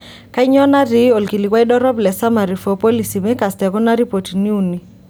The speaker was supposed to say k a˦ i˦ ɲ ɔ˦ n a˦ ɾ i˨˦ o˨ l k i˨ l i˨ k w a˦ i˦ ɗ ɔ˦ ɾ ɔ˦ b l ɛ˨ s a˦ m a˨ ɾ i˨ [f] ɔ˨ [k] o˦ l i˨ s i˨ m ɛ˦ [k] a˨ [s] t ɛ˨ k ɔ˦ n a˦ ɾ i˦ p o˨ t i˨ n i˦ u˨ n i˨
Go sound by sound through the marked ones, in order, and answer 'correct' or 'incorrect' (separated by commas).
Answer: correct, incorrect, correct, correct